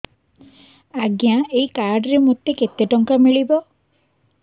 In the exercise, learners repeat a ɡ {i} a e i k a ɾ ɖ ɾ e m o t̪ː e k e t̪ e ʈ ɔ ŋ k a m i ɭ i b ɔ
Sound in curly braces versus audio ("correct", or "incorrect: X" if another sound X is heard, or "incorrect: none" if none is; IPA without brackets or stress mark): incorrect: j